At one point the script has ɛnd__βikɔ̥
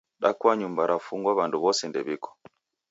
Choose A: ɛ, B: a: A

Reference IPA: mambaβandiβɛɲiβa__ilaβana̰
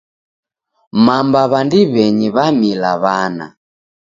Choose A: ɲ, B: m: B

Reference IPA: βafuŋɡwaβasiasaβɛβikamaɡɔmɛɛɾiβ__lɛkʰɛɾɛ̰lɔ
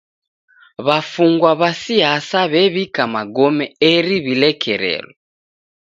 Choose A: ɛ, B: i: B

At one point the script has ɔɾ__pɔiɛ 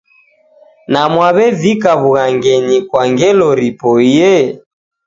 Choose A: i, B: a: A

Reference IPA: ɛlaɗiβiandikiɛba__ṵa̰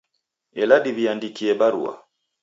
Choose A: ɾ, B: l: A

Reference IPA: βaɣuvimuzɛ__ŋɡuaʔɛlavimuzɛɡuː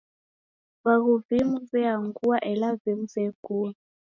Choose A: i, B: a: B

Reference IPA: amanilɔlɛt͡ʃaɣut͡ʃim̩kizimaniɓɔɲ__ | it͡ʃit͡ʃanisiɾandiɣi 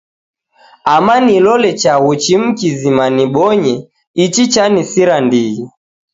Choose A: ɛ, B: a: A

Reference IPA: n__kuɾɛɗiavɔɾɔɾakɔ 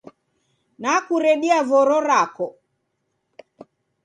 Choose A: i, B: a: B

